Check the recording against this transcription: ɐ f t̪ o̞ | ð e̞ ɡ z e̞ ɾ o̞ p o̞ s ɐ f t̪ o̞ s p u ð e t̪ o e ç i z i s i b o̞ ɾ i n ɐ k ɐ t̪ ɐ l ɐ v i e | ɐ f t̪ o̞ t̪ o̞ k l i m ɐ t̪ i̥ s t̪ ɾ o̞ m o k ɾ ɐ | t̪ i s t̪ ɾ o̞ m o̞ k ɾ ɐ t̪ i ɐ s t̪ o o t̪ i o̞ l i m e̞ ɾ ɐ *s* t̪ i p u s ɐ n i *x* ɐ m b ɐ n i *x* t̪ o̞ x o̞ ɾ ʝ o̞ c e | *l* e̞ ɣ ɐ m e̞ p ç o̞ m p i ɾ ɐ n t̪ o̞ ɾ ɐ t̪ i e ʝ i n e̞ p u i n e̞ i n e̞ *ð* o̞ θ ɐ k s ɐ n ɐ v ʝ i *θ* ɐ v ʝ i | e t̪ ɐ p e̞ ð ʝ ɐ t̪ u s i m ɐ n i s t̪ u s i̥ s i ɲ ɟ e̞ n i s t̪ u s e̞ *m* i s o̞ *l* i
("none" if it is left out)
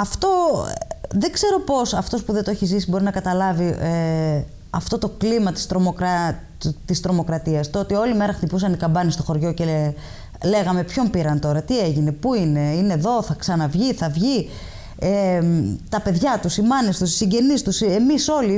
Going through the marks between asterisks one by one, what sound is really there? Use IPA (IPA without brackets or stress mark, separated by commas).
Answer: x, k, s, l, ð, θ, m, l